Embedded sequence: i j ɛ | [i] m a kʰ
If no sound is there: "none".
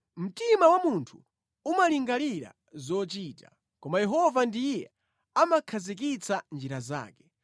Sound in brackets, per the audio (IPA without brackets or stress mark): a